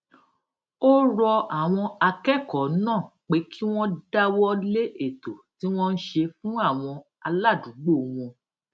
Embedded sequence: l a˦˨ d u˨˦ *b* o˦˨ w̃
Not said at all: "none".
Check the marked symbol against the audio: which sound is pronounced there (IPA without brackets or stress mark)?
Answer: ɡ͡b